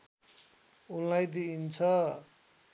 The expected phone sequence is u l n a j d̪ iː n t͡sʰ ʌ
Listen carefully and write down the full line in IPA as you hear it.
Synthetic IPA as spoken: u l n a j d̪ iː n t͡sʰ ʌ